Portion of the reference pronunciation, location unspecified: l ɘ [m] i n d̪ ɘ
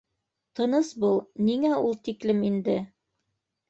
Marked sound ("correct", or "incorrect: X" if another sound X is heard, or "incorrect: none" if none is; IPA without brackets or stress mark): correct